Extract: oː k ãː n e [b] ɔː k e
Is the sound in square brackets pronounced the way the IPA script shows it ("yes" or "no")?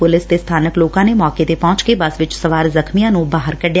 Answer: no